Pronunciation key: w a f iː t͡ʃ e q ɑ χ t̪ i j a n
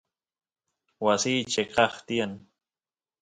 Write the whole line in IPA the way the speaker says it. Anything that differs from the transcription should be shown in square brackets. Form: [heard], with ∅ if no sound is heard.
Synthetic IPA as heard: w a [s] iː t͡ʃ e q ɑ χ t̪ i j a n

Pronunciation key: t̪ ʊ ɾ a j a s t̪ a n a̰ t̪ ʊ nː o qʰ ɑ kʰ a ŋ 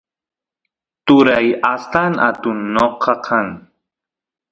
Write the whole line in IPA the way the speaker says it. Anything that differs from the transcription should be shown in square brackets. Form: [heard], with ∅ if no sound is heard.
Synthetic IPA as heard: t̪ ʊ ɾ a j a s t̪ a n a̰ t̪ ʊ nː o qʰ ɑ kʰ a ŋ

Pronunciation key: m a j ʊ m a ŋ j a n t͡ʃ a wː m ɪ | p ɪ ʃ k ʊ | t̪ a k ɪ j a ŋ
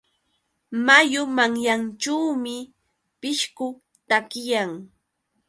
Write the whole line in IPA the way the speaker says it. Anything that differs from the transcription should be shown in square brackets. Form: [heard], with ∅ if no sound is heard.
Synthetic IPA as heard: m a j ʊ m a ŋ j a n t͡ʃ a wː m ɪ | p ɪ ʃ k ʊ | t̪ a k ɪ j a ŋ

